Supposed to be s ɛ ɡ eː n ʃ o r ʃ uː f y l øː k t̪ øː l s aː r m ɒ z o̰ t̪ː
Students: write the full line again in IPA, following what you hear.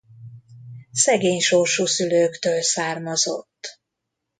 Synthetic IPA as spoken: s ɛ ɡ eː ɲ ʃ o r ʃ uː s y l øː k t̪ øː l s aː r m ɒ z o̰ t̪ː